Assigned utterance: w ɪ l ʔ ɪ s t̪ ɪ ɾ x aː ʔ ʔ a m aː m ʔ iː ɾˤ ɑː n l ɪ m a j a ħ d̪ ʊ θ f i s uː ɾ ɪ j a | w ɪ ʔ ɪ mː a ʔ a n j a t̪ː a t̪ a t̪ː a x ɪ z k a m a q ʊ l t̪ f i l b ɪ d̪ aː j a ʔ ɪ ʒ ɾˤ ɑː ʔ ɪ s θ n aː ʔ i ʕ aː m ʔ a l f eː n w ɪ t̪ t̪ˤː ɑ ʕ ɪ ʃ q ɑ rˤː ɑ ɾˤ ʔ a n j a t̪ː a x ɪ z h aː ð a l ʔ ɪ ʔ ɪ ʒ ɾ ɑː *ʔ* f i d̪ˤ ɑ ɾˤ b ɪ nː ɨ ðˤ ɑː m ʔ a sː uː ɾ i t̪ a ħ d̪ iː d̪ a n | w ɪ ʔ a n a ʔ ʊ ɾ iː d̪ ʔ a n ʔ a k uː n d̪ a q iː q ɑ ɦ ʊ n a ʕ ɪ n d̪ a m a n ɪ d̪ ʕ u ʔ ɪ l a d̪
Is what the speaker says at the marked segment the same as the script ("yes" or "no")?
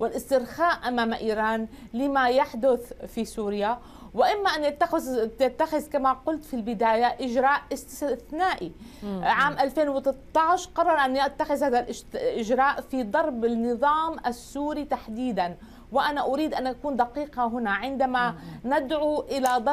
yes